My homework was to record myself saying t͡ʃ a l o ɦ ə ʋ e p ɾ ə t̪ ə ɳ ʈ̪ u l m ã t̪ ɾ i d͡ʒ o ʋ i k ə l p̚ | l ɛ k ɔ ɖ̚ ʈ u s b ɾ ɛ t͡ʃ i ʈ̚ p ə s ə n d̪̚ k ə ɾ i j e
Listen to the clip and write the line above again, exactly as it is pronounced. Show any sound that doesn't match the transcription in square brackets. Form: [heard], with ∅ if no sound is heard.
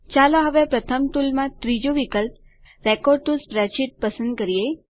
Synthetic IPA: t͡ʃ a l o ɦ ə ʋ e p ɾ ə [t̪ʰ] ə [m] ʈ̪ u l m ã t̪ ɾ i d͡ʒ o ʋ i k ə l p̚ | [ɾ] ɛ k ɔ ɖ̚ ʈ u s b ɾ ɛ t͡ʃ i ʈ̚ p ə s ə n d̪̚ k ə ɾ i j e